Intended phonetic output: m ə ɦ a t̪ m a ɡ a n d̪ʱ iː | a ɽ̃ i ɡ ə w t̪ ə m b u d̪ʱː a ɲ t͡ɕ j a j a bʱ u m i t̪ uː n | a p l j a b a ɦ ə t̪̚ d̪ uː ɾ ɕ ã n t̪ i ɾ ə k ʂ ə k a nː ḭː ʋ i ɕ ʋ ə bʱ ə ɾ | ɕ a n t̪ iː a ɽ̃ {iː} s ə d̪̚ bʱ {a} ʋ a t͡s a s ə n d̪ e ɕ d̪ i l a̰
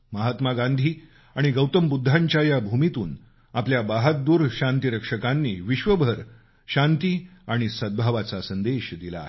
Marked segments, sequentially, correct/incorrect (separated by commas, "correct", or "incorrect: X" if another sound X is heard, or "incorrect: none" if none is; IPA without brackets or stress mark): incorrect: i, correct